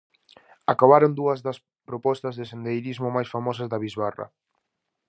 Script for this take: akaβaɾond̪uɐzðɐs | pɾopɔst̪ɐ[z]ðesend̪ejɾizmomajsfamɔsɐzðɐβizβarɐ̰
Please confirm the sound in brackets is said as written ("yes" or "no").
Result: yes